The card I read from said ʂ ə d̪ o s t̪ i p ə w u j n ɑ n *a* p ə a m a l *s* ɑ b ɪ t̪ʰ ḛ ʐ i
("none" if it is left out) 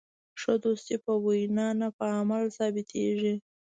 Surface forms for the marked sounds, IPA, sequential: a, s

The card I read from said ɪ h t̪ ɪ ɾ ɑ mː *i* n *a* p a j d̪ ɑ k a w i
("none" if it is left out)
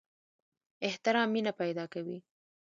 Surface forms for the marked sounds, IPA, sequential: i, a

